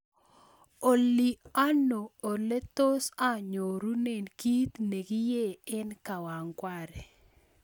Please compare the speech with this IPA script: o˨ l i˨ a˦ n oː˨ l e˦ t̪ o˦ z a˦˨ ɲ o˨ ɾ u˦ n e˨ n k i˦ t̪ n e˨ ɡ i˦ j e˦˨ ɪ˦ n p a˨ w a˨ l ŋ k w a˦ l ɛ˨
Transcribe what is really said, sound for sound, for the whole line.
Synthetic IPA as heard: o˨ l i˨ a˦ n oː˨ l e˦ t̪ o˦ s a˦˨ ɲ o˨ ɾ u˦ n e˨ n k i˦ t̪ n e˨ ɡ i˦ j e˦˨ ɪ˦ n k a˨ w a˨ ŋ k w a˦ ɾ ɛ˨